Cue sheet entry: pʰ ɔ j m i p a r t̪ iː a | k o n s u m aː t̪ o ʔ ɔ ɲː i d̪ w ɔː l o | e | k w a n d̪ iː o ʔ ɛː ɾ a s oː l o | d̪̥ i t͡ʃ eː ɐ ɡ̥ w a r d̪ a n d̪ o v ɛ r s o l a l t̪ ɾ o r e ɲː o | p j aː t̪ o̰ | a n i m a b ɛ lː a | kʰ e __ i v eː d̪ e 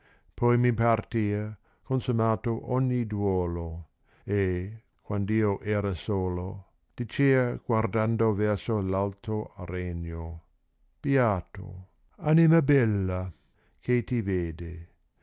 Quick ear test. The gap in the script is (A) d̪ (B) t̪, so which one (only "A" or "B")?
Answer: B